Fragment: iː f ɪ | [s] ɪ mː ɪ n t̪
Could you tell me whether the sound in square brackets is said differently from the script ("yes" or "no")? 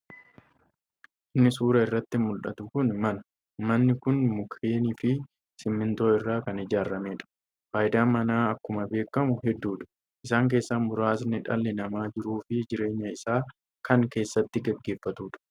no